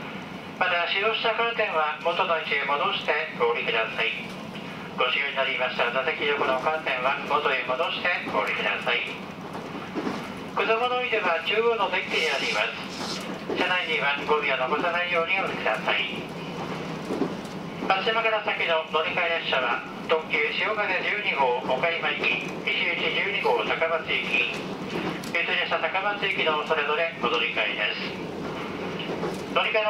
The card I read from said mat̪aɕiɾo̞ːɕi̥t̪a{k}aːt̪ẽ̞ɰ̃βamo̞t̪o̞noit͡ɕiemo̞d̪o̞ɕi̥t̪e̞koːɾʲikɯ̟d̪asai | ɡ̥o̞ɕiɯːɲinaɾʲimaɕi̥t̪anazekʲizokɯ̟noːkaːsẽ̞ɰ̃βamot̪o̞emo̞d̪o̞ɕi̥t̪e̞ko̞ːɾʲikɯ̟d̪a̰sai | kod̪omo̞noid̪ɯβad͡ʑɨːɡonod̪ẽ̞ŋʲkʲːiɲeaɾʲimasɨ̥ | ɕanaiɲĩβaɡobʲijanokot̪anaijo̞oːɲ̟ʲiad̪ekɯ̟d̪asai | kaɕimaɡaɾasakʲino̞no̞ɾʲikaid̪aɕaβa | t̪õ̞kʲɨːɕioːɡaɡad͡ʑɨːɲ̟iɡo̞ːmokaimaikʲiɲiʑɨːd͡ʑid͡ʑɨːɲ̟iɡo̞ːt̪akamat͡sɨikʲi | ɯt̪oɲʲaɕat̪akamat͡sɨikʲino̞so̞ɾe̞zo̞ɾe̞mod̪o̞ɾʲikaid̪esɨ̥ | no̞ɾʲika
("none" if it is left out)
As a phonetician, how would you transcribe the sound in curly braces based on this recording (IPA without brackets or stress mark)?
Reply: k